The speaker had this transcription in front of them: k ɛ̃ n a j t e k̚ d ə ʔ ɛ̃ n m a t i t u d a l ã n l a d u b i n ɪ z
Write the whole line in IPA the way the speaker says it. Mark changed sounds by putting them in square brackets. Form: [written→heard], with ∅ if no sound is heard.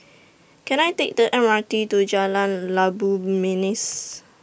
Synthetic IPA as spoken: k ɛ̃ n a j t e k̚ d ə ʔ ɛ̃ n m a t i t u [d→d͡ʒ] a l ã n l a [d→b] u [b→m] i n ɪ [z→s]